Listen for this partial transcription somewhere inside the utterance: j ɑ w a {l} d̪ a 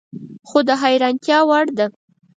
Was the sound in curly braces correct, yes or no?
no